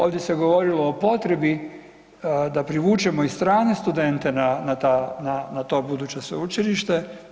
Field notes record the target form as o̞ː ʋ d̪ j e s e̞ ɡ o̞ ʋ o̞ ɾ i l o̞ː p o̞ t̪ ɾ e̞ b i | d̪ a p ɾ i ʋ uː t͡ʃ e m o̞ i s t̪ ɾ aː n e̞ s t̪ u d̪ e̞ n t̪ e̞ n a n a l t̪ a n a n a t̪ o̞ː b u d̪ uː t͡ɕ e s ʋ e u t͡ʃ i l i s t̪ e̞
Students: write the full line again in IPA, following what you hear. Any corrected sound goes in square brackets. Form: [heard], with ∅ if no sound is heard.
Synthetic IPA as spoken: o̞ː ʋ d̪ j e s e̞ ɡ o̞ ʋ o̞ ɾ i l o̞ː p o̞ t̪ ɾ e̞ b i | d̪ a p ɾ i ʋ uː t͡ʃ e m o̞ i s t̪ ɾ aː n e̞ s t̪ u d̪ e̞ n t̪ e̞ n a n a [∅] t̪ a n a n a t̪ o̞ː b u d̪ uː t͡ɕ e s ʋ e u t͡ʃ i l i [ʃ] t̪ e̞